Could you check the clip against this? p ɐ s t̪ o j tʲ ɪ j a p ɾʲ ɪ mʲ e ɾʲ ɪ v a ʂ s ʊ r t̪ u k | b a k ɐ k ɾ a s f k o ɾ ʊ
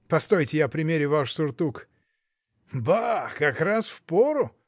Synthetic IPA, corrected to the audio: p ɐ s t̪ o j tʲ ɪ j a p ɾʲ ɪ mʲ e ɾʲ ɪ v a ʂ s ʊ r t̪ u k | b a k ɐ k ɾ a s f p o ɾ ʊ